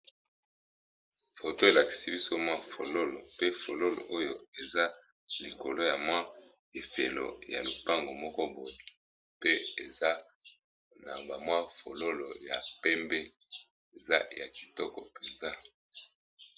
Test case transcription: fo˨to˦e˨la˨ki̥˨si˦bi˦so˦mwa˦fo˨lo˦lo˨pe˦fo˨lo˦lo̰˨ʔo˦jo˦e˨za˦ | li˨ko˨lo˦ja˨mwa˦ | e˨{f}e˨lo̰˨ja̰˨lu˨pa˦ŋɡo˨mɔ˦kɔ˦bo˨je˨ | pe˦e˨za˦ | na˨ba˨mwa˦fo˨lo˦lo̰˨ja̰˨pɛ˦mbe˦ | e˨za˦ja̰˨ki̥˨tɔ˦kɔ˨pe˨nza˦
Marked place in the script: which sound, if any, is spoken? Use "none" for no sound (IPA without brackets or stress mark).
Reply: f